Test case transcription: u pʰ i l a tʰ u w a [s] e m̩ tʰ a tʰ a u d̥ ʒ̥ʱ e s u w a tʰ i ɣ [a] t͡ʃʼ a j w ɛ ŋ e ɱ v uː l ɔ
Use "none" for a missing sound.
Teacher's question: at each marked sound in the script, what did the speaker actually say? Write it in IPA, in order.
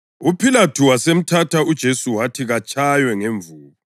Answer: s, a

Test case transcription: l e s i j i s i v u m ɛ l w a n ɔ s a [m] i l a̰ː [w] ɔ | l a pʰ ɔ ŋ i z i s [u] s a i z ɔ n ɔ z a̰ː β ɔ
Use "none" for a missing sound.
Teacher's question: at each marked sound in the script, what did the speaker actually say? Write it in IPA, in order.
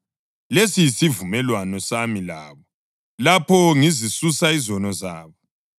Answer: m, β, u

